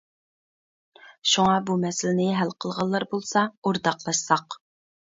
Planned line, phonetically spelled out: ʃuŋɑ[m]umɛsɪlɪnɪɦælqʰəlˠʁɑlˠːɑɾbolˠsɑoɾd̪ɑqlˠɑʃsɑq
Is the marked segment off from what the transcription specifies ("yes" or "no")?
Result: yes